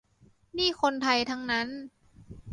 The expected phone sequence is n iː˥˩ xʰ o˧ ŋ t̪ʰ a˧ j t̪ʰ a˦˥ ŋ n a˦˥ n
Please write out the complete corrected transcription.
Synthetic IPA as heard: n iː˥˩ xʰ o˧ n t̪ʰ a˧ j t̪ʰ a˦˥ ŋ n a˦˥ n